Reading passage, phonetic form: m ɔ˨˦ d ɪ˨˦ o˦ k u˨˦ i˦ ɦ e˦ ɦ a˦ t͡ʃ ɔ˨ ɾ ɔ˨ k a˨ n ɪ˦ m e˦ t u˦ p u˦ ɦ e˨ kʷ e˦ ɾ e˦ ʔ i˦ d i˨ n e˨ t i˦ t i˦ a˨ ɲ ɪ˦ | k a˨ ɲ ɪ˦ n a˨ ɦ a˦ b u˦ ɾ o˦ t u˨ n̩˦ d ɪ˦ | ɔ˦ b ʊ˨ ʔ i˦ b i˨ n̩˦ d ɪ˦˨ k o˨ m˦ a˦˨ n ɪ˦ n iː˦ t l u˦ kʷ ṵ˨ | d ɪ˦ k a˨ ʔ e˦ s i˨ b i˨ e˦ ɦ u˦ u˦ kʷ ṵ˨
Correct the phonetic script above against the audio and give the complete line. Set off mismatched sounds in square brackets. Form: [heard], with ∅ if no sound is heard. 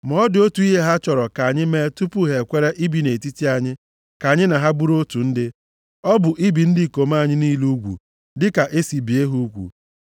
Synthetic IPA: m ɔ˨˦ d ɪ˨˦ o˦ [t] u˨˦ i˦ ɦ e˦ ɦ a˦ t͡ʃ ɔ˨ ɾ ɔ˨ k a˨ [ɲ] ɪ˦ m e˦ t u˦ p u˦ ɦ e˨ kʷ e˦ ɾ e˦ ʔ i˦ [b] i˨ n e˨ t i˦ t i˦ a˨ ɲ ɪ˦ | k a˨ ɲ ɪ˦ n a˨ ɦ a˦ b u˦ ɾ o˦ t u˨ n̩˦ d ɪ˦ | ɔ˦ b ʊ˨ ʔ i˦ b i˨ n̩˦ d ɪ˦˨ k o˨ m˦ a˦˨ [ɲ] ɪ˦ n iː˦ [∅] l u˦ [ɡʷ] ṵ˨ | d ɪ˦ k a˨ ʔ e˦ s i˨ b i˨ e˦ ɦ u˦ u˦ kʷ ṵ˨